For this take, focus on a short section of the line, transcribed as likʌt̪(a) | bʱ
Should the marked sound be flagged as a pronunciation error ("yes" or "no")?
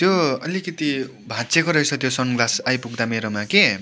yes